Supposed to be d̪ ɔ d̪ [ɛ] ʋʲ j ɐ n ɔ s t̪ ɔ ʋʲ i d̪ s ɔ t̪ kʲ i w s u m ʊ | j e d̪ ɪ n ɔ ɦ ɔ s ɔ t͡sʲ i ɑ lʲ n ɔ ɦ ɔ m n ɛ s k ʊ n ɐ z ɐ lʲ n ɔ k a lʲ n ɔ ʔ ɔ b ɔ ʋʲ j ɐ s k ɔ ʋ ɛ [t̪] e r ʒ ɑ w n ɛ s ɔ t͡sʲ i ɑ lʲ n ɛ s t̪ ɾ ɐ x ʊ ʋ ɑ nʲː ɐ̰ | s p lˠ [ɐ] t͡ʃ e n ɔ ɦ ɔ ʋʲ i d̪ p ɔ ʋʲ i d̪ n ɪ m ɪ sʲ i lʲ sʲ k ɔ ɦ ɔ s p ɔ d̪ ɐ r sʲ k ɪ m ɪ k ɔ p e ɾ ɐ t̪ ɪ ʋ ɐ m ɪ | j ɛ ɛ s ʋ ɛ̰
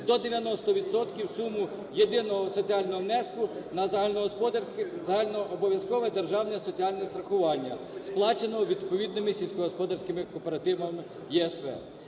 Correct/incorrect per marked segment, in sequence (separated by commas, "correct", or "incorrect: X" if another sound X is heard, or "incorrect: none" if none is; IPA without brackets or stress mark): incorrect: e, incorrect: d̪, incorrect: ɑ